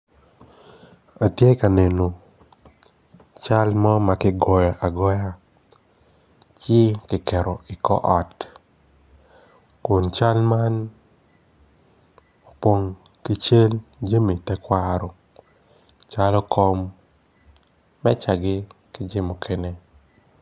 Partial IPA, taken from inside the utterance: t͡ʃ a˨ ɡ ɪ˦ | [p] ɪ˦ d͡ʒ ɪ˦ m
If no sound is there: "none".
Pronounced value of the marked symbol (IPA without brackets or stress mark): k